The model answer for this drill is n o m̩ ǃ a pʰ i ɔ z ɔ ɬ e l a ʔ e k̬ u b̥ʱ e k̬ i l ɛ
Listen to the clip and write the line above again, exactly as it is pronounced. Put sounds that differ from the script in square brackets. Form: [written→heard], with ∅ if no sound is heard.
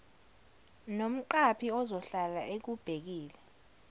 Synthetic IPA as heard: n o m̩ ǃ a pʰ i ɔ z ɔ ɬ [e→a] l a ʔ e k̬ u b̥ʱ e k̬ [i→iː] l ɛ